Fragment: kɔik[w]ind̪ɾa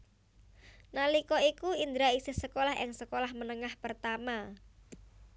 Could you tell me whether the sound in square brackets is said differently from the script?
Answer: yes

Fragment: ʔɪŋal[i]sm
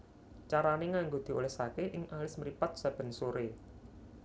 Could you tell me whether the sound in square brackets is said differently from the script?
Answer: yes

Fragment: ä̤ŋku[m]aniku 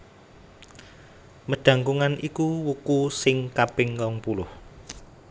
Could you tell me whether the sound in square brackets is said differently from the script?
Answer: yes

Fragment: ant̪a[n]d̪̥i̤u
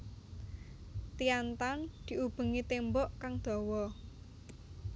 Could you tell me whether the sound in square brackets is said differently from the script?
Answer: no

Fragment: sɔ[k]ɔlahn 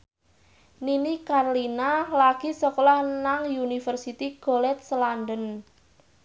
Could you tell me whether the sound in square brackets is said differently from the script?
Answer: no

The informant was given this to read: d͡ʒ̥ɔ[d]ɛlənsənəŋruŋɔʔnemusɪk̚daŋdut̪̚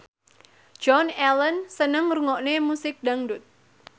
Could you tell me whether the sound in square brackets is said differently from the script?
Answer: yes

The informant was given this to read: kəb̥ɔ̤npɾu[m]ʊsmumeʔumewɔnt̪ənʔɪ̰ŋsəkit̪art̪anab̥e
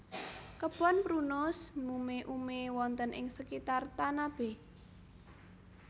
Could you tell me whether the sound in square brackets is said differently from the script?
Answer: yes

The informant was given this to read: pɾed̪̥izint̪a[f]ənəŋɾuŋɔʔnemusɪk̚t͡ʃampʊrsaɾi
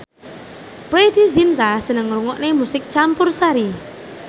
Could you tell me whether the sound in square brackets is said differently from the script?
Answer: yes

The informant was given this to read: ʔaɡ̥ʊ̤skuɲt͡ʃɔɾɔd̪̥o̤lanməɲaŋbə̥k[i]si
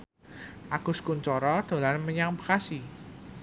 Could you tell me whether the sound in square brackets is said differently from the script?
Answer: yes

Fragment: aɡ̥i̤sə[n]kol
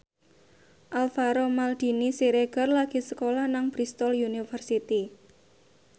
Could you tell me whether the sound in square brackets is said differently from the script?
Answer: yes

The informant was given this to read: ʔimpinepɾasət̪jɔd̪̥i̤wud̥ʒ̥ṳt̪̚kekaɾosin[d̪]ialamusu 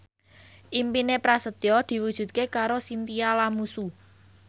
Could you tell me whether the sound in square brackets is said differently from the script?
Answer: yes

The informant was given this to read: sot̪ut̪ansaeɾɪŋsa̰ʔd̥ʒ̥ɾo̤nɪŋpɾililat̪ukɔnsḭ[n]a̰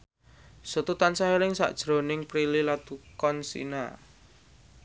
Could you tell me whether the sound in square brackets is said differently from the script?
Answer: no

